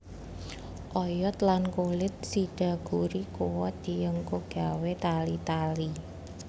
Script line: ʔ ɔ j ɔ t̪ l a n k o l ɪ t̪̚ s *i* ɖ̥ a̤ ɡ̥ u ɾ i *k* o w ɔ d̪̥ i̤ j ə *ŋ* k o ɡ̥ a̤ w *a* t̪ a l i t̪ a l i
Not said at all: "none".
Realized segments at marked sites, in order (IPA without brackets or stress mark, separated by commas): i, k, ŋ, e